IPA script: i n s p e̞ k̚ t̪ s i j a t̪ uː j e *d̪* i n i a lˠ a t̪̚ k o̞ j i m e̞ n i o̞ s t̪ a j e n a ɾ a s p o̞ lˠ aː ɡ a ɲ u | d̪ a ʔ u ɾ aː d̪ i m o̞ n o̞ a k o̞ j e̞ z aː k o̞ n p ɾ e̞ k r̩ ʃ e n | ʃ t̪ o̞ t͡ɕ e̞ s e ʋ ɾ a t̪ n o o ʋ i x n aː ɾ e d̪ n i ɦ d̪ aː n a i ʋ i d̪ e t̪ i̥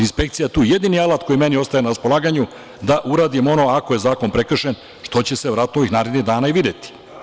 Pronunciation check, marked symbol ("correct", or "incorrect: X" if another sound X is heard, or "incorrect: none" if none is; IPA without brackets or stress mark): correct